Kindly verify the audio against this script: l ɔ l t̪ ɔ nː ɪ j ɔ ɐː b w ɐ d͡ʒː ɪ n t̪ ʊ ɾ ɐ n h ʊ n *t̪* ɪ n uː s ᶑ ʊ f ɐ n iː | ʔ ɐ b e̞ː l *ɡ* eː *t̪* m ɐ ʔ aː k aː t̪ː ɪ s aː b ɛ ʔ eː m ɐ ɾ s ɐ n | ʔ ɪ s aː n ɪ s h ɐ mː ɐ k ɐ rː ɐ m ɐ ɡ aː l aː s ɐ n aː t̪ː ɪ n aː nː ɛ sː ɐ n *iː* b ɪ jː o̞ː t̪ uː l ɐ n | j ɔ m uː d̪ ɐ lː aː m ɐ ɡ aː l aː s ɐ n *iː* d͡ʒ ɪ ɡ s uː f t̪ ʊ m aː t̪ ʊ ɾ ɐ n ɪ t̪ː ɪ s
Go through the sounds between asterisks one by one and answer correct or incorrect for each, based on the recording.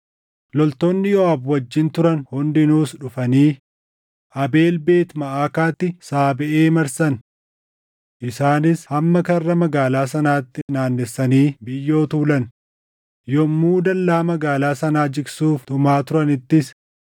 incorrect, incorrect, correct, correct, incorrect

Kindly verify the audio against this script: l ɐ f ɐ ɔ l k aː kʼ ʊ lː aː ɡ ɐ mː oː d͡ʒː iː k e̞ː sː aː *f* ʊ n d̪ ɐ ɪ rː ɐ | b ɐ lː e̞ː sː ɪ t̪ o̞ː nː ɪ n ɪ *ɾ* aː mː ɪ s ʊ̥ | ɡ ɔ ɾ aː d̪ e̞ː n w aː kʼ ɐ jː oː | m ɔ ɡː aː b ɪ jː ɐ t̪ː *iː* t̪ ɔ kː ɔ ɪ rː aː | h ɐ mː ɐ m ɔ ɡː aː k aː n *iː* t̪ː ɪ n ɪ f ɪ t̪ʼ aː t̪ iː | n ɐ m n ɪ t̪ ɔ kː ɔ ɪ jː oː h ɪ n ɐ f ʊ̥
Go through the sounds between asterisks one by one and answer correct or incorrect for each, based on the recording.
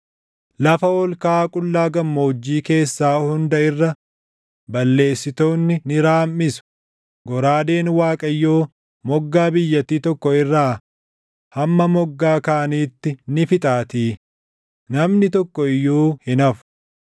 incorrect, correct, correct, correct

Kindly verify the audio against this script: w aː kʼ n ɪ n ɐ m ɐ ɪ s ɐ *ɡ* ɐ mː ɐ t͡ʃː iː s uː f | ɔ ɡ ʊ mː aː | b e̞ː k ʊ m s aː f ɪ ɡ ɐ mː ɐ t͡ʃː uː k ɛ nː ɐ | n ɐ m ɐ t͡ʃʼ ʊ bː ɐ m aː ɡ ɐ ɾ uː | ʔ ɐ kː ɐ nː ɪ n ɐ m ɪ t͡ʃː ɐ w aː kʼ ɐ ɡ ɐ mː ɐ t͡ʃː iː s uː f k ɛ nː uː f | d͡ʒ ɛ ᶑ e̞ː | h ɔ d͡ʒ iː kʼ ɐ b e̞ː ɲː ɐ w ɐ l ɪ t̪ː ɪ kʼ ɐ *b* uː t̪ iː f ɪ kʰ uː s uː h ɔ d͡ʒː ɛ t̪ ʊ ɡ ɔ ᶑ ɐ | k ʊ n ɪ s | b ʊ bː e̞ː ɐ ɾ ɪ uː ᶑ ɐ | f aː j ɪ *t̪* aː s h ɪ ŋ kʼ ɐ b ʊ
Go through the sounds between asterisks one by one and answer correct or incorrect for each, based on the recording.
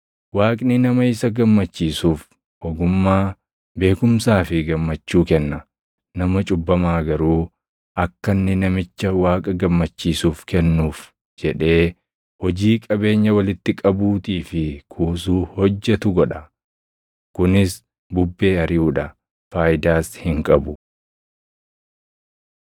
correct, correct, incorrect

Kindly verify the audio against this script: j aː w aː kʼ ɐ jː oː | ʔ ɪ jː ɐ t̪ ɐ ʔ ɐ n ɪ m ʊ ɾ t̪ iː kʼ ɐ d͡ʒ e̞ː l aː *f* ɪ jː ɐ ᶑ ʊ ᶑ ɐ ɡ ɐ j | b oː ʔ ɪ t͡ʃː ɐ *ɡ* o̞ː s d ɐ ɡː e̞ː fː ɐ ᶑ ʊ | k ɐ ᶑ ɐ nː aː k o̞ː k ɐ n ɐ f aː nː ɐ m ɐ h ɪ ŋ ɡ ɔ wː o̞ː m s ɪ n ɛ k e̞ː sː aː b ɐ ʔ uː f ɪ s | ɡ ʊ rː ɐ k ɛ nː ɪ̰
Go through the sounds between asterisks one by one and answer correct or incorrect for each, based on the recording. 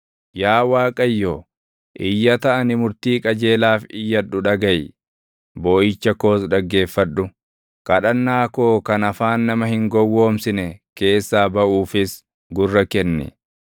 correct, incorrect

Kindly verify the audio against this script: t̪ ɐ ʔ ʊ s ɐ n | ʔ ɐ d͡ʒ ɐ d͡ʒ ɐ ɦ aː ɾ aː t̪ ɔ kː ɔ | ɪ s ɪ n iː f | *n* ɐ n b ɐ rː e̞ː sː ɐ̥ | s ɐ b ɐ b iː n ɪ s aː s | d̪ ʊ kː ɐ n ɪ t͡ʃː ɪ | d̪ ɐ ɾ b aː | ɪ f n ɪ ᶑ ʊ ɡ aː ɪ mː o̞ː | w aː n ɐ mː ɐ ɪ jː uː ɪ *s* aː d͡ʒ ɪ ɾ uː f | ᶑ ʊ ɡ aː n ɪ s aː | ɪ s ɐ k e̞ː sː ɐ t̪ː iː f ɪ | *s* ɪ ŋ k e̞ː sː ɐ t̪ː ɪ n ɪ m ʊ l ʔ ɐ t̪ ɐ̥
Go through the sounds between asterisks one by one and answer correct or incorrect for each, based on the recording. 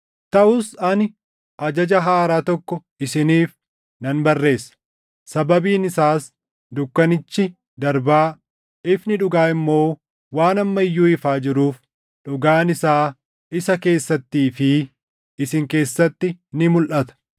correct, incorrect, correct

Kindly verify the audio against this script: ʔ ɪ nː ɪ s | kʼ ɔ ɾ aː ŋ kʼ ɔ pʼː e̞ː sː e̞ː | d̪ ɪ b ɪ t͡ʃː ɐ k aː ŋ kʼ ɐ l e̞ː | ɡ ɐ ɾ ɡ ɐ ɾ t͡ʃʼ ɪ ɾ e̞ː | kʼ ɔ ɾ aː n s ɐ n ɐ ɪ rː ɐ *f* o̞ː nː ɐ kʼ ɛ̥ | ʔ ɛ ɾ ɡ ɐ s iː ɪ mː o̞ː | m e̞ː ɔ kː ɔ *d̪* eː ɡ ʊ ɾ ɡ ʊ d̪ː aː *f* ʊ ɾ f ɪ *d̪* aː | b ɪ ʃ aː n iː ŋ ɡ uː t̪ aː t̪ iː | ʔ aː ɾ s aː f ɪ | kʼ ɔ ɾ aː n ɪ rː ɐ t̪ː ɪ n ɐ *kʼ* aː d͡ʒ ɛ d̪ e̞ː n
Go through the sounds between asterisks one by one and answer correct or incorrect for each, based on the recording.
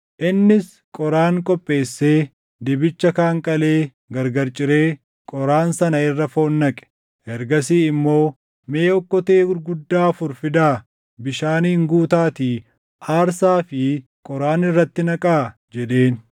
correct, incorrect, correct, correct, correct

